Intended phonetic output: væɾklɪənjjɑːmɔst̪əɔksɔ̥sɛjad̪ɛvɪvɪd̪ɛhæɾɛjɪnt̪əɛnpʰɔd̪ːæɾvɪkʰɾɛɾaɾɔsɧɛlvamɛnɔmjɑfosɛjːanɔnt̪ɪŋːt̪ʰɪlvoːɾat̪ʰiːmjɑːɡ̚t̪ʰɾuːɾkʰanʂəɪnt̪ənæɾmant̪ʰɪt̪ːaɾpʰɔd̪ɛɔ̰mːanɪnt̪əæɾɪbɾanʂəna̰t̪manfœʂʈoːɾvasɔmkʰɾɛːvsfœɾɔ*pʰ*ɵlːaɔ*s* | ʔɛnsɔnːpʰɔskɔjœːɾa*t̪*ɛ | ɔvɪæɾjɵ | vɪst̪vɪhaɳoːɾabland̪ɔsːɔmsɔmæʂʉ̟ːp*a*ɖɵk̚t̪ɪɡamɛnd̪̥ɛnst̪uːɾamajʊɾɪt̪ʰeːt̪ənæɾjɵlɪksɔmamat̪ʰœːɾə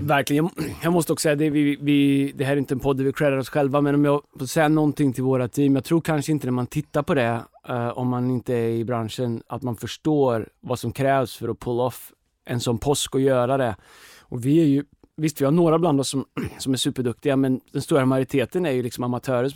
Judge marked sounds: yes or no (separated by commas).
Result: yes, no, no, no